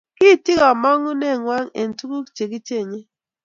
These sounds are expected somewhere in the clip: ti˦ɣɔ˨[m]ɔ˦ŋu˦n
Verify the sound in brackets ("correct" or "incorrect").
correct